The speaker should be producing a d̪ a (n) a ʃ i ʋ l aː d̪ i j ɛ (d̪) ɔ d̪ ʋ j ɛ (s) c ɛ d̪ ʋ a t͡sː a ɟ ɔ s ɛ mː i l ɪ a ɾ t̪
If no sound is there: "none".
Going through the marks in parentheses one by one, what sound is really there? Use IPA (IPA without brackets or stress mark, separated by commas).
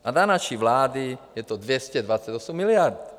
n, t̪, s